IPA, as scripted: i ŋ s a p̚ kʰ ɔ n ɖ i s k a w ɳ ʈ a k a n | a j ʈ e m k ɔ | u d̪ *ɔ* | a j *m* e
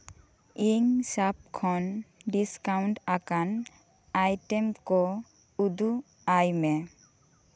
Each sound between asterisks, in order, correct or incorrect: incorrect: u, correct

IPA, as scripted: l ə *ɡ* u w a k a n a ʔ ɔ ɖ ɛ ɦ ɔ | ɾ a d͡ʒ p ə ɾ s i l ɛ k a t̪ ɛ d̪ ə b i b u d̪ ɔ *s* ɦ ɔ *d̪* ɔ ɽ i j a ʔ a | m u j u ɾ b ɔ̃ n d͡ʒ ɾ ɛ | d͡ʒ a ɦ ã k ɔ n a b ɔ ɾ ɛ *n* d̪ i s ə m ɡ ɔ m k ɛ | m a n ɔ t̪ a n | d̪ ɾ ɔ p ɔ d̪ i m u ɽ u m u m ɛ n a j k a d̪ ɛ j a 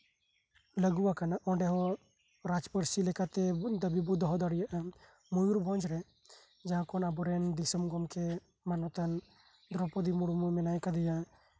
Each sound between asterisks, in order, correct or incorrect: correct, incorrect: none, correct, correct

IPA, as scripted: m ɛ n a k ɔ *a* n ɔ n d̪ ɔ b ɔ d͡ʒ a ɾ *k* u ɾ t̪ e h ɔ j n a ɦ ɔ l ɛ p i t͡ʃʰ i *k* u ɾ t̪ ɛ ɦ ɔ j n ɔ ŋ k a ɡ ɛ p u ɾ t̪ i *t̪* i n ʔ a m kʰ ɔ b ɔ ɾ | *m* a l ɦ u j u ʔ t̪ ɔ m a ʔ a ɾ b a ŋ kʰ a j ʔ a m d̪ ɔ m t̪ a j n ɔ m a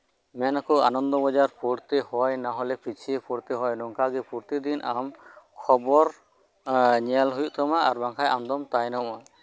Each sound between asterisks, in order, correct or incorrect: correct, incorrect: p, incorrect: p, incorrect: d̪, incorrect: ɲ

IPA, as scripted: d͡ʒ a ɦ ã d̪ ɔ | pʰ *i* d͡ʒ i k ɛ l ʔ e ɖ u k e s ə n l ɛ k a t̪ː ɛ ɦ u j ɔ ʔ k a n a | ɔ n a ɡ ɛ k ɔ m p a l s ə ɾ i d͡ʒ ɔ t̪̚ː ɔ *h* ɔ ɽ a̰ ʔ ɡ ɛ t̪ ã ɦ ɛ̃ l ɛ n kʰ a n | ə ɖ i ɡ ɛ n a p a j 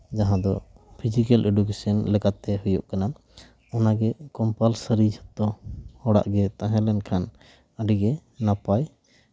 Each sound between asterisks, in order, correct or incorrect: correct, correct

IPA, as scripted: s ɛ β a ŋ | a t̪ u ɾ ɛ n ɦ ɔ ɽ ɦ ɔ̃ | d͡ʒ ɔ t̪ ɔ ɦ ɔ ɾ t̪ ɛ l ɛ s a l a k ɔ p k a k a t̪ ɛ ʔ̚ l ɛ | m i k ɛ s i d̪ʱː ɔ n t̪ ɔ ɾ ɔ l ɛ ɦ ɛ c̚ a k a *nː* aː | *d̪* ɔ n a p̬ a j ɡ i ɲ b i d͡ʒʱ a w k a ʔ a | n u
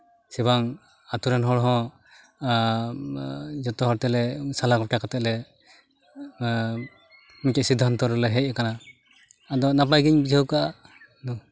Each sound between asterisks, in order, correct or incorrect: incorrect: n, correct

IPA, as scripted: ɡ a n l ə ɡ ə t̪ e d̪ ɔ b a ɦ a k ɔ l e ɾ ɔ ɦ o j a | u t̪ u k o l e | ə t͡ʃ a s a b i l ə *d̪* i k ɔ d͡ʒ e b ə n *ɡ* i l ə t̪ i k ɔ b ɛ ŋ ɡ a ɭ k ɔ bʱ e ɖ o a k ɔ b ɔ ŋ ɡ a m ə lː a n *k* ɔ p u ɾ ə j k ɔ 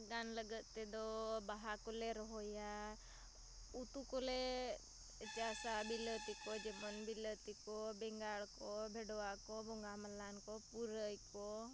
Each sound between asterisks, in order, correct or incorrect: incorrect: t̪, incorrect: b, correct

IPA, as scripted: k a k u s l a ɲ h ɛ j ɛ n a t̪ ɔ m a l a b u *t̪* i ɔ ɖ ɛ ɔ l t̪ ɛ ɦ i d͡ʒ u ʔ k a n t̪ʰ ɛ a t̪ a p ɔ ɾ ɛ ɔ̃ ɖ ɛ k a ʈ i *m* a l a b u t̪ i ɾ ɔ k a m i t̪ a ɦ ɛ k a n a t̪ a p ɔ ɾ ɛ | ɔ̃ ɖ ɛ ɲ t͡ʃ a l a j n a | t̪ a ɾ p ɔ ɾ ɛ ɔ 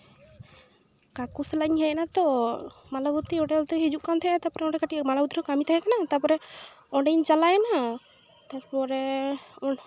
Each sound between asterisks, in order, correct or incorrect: correct, correct

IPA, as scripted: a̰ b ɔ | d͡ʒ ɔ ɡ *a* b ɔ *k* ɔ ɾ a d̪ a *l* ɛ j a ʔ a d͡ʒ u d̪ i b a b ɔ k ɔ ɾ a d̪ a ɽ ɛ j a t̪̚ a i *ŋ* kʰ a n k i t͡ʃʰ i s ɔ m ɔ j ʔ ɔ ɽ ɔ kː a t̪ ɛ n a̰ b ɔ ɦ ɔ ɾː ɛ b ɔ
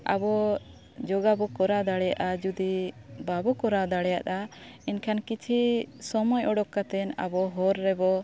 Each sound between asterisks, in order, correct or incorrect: correct, correct, incorrect: ɽ, incorrect: n

